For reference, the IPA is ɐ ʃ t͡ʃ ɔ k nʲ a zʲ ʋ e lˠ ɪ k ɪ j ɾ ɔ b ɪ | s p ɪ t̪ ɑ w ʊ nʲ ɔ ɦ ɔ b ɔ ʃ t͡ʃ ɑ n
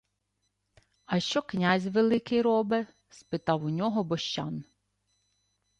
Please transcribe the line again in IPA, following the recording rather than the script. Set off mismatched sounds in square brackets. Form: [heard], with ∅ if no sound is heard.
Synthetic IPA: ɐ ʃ t͡ʃ ɔ k nʲ a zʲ ʋ e lˠ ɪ k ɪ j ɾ ɔ b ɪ | s p ɪ t̪ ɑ w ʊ nʲ ɔ ɦ ɔ b ɔ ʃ t͡ʃ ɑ n

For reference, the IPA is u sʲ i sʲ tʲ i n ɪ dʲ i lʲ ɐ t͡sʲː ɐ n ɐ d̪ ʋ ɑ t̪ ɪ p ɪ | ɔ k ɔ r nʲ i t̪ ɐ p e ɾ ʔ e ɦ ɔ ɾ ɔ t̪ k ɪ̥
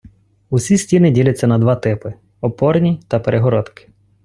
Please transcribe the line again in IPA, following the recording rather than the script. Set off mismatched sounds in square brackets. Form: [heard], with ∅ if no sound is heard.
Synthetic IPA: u sʲ i sʲ tʲ i n ɪ dʲ i lʲ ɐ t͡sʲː ɐ n ɐ d̪ ʋ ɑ t̪ ɪ p ɪ | ɔ [p] ɔ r nʲ i t̪ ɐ p e ɾ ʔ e ɦ ɔ ɾ ɔ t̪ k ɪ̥

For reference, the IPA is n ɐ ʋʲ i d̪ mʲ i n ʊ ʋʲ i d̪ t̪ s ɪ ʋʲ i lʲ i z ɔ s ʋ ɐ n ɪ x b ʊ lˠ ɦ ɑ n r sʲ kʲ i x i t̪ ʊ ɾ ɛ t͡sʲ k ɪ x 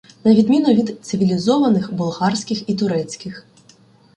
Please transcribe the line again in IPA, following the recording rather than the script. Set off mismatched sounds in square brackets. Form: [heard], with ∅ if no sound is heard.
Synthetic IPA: n ɐ ʋʲ i d̪ mʲ i n ʊ ʋʲ i d̪ t̪ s ɪ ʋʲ i lʲ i z ɔ [∅] ʋ ɐ n ɪ x b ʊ lˠ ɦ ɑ [∅] r sʲ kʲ [ɪ] x i t̪ ʊ ɾ ɛ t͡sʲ k ɪ x

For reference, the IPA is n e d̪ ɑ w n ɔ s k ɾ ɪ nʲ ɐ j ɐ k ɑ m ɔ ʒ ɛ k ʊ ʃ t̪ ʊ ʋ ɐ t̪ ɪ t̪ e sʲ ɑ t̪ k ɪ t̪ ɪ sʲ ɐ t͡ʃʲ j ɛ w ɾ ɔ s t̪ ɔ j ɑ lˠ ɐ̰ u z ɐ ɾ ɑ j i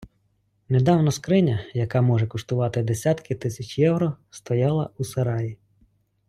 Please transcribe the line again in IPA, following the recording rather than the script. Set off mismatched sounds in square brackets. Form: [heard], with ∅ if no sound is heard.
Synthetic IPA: n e d̪ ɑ w n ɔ s k ɾ ɪ nʲ ɐ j ɐ k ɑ m ɔ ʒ ɛ k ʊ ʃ t̪ ʊ ʋ [ɑ] t̪ ɪ [d̪] e sʲ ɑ t̪ k ɪ t̪ ɪ sʲ ɐ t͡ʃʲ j ɛ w ɾ ɔ s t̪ ɔ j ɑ lˠ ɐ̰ u [s] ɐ ɾ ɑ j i

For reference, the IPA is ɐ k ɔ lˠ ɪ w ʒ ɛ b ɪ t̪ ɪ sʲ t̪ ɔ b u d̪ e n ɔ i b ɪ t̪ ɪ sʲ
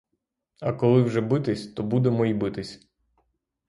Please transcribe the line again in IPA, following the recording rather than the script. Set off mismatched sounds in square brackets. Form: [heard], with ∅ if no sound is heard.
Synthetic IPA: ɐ k ɔ lˠ ɪ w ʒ ɛ b ɪ t̪ ɪ sʲ t̪ ɔ b u d̪ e [m] ɔ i b ɪ t̪ ɪ sʲ

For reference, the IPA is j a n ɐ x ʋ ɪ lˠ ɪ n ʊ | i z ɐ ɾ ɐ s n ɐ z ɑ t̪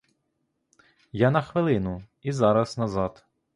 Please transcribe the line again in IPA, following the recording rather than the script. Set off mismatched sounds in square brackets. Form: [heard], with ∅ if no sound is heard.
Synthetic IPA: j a n ɐ x ʋ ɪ lˠ ɪ n ʊ | i z [ɑ] ɾ ɐ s n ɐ z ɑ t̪

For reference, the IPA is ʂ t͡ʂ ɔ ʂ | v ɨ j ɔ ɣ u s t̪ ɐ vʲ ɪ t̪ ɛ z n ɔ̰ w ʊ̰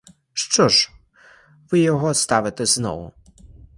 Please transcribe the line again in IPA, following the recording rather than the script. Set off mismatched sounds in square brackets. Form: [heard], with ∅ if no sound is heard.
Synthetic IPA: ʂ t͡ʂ ɔ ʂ | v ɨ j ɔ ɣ [ɔ] s t̪ [a] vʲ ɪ t̪ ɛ z n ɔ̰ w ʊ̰

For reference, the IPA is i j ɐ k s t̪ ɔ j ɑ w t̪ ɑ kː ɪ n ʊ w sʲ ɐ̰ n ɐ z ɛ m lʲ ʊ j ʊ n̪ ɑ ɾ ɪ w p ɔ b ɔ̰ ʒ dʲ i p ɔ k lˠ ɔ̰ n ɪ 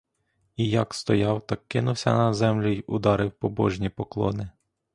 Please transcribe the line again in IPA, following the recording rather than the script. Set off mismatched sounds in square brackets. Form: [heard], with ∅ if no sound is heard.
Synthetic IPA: i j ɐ k s t̪ ɔ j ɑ w t̪ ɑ kː ɪ n ʊ w sʲ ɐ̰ n ɐ z ɛ m lʲ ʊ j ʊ [d̪] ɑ ɾ ɪ w p ɔ b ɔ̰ ʒ [nʲ] i p ɔ k lˠ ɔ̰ n ɪ

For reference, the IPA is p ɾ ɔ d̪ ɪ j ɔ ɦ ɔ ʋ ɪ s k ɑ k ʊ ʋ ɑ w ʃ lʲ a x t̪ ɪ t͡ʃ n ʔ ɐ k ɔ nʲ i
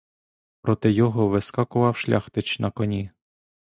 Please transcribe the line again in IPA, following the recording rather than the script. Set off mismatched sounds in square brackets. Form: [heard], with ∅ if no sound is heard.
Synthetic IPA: p ɾ ɔ [t̪] ɪ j ɔ ɦ ɔ ʋ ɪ s k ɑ k ʊ ʋ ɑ w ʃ lʲ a x t̪ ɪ t͡ʃ n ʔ ɐ k ɔ nʲ i

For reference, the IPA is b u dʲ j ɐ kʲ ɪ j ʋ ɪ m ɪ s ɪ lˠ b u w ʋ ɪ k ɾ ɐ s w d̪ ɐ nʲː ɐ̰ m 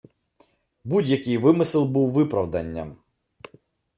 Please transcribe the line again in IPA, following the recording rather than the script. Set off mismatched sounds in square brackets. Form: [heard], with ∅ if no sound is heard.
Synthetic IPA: b u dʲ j ɐ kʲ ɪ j ʋ ɪ m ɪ s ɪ lˠ b u w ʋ ɪ [p] ɾ ɐ [∅] w d̪ ɐ nʲː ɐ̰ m

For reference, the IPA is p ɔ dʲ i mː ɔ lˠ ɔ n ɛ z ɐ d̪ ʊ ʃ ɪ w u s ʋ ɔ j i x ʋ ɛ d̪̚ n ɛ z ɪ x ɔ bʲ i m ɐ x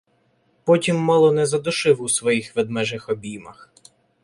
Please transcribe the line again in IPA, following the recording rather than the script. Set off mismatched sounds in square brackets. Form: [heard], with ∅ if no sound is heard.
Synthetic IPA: p ɔ [tʲ] i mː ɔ lˠ ɔ n ɛ z ɐ d̪ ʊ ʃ ɪ w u s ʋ ɔ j i x ʋ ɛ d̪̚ [m] ɛ [ʒ] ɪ x ɔ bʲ i m ɐ x

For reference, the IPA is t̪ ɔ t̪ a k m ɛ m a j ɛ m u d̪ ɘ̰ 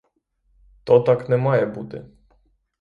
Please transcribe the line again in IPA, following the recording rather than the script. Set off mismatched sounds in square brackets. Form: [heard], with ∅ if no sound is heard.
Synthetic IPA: t̪ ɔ t̪ a k [n] ɛ m a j ɛ [b] u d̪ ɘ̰

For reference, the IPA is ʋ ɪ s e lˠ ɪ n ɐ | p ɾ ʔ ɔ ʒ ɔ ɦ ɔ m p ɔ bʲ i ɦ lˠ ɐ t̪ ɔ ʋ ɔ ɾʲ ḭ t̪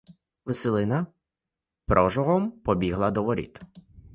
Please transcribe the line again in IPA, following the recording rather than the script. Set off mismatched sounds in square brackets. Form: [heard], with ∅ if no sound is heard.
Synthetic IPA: ʋ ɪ s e lˠ ɪ n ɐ | p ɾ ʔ ɔ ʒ ɔ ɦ ɔ m p ɔ bʲ i ɦ lˠ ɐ [d̪] ɔ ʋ ɔ ɾʲ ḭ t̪

